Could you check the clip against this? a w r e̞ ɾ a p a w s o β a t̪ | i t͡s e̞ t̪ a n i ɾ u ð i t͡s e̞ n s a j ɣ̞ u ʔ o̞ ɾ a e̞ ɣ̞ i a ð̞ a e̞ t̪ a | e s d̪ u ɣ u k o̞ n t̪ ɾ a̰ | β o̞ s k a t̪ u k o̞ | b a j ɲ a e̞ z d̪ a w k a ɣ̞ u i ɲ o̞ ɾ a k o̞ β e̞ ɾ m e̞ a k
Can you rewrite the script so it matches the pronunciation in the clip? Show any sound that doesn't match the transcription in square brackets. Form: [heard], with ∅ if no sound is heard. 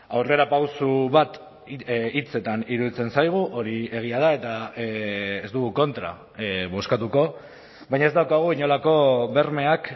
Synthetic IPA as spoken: a w r e̞ ɾ a p a w s [u] β a t̪ | i t͡s e̞ t̪ a n i ɾ u ð i t͡s e̞ n s a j ɣ̞ u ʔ o̞ ɾ [i] e̞ ɣ̞ i a ð̞ a e̞ t̪ a | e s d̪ u ɣ u k o̞ n t̪ ɾ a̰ | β o̞ s k a t̪ u k o̞ | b a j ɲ a e̞ z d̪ a w k a ɣ̞ u i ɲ o̞ [l] a k o̞ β e̞ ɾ m e̞ a k

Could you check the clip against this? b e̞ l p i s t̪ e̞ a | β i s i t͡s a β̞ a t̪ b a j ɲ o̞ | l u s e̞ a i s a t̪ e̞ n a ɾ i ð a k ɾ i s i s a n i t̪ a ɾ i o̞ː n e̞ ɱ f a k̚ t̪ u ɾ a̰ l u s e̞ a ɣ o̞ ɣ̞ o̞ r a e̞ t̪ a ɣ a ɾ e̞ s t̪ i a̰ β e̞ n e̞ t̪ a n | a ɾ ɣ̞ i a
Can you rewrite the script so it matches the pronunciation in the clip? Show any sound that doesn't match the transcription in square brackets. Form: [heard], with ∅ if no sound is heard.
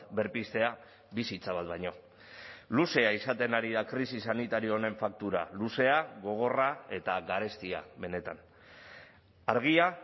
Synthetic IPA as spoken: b e̞ [ɾ] p i s t̪ e̞ a | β i s i t͡s a β̞ a t̪ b a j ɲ o̞ | l u s e̞ a i s a t̪ e̞ n a ɾ i ð a k ɾ i s i s a n i t̪ a ɾ i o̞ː n e̞ ɱ f a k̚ t̪ u ɾ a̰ l u s e̞ a ɣ o̞ ɣ̞ o̞ r a e̞ t̪ a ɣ a ɾ e̞ s t̪ i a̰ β e̞ n e̞ t̪ a n | a ɾ ɣ̞ i a

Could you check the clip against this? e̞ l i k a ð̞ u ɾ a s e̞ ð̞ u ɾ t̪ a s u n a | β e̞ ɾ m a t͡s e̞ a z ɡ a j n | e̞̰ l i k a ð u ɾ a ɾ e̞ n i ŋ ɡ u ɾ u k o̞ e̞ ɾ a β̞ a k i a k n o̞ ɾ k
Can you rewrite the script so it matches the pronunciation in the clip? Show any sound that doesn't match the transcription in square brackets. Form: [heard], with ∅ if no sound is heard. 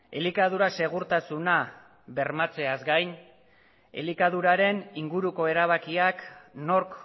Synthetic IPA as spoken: e̞ l i k a ð̞ u ɾ a s e̞ [ɣ̞] u ɾ t̪ a s u n a | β e̞ ɾ m a t͡s e̞ a z ɡ a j n | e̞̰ l i k a ð u ɾ a ɾ e̞ n i ŋ ɡ u ɾ u k o̞ e̞ ɾ a β̞ a k i a k n o̞ ɾ k

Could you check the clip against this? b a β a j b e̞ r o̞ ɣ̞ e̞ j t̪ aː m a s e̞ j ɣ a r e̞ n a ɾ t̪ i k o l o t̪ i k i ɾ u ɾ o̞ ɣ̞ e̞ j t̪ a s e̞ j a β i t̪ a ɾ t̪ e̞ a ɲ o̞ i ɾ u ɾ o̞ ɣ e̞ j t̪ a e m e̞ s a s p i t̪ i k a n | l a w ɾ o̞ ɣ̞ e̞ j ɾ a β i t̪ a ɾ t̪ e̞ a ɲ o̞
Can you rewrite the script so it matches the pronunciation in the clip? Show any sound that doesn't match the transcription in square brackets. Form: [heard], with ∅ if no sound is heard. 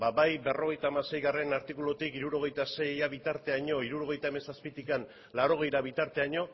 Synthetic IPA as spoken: b a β a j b e̞ r o̞ ɣ̞ e̞ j t̪ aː m a s e̞ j ɣ a r e̞ n a ɾ t̪ i k [u] l o t̪ i k i ɾ u ɾ o̞ ɣ̞ e̞ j t̪ a s e̞ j a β i t̪ a ɾ t̪ e̞ a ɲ o̞ i ɾ u ɾ o̞ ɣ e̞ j t̪ a e m e̞ s a s p i t̪ i k a n | l a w ɾ o̞ ɣ̞ e̞ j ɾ a β i t̪ a ɾ t̪ e̞ a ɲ o̞

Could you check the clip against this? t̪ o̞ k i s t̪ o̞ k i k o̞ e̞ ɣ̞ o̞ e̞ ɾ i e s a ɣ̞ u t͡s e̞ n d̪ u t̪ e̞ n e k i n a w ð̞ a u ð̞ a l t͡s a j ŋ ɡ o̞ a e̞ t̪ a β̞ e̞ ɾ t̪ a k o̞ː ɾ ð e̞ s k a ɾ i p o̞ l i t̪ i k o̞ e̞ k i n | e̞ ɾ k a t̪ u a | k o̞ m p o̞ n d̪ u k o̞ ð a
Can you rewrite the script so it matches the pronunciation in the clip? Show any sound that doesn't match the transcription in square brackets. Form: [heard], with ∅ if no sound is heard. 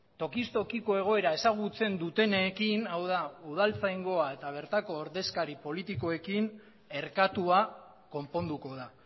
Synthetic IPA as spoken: t̪ o̞ k i s t̪ o̞ k i k o̞ e̞ ɣ̞ o̞ e̞ ɾ [a] e s a ɣ̞ u t͡s e̞ n d̪ u t̪ e̞ n e k i n a w ð̞ a u ð̞ a l t͡s a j ŋ ɡ o̞ a e̞ t̪ a β̞ e̞ ɾ t̪ a k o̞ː ɾ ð e̞ s k a ɾ i p o̞ l i t̪ i k o̞ e̞ k i n | e̞ ɾ k a t̪ u a | k o̞ m p o̞ n d̪ u k o̞ ð a

